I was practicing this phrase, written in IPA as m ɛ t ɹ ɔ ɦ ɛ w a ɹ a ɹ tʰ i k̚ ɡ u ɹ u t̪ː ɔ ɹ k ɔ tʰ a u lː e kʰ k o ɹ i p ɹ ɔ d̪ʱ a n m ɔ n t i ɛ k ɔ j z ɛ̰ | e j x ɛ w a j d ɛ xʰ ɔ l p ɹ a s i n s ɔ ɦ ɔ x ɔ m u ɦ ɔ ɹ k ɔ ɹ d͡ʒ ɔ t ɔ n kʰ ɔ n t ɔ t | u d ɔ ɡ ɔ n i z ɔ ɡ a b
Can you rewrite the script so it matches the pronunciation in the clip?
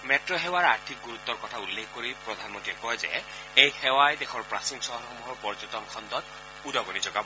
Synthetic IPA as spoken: m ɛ t ɹ ɔ ɦ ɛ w a ɹ a ɹ tʰ i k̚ ɡ u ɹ u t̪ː ɔ ɹ k ɔ tʰ a u lː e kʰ k o ɹ i p ɹ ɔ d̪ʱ a n m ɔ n t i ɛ k ɔ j z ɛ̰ | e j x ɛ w a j d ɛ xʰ ɔ ɹ p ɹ a s i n s ɔ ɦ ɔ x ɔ m u ɦ ɔ ɹ p ɔ ɹ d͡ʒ ɔ t ɔ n kʰ ɔ n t ɔ t | u d ɔ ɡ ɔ n i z ɔ ɡ a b